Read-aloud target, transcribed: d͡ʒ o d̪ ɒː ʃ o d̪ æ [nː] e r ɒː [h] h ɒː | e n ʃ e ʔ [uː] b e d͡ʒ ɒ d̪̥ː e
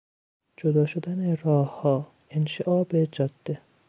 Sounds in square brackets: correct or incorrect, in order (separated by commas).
incorrect, correct, incorrect